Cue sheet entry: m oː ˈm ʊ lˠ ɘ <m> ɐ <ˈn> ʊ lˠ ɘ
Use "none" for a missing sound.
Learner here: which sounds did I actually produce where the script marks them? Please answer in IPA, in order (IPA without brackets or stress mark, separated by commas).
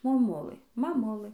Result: m, m